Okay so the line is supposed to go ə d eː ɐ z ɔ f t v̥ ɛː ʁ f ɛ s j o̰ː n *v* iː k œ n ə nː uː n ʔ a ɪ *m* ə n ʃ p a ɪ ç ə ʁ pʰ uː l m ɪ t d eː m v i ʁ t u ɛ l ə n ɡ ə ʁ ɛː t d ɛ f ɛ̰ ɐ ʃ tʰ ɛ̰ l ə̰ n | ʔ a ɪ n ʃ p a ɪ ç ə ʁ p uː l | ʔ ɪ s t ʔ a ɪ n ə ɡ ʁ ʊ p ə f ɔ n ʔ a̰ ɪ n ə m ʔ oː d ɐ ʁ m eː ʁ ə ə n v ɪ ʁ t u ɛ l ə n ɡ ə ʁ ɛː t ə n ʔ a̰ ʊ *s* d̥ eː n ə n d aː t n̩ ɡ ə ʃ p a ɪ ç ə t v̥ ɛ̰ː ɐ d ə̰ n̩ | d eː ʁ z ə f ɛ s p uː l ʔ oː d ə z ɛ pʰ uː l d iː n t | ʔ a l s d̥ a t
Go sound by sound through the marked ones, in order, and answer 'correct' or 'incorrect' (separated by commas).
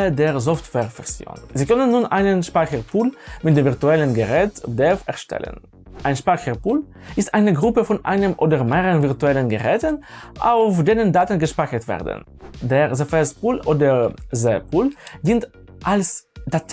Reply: incorrect, incorrect, incorrect